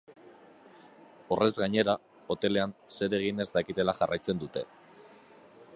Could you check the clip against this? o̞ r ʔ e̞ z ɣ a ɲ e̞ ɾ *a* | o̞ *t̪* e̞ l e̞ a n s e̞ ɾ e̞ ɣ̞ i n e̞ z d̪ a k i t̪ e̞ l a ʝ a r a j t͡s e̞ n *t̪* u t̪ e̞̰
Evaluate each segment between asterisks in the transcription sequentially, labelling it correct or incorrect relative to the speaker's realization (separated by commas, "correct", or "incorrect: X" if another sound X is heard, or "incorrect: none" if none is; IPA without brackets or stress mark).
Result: correct, correct, incorrect: d̪